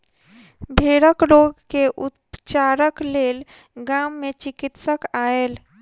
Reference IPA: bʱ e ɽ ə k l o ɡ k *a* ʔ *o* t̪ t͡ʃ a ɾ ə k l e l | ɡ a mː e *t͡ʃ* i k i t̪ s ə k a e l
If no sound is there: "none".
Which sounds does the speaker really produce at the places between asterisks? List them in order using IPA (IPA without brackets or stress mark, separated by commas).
e, u, t͡ʃ